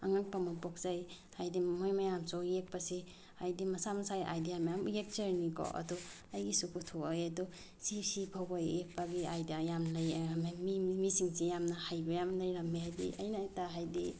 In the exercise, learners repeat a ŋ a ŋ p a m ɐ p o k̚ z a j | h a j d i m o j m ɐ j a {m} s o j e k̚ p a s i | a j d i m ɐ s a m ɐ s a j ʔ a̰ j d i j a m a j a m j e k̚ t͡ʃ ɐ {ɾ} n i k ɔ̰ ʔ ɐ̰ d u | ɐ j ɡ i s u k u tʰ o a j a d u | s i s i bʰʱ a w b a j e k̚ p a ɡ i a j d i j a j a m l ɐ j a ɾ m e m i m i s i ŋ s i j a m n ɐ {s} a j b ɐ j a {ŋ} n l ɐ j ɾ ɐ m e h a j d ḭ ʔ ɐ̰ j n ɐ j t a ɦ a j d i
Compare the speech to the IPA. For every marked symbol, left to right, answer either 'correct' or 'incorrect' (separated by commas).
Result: correct, correct, incorrect, incorrect